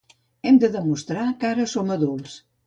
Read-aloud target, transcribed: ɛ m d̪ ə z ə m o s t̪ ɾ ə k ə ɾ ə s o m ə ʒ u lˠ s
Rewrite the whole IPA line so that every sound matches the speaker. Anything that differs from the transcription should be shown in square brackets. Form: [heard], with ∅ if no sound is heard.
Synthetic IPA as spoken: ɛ m d̪ ə [ð] ə m [u] s t̪ ɾ [a] k [a] ɾ ə s o m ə [ð] u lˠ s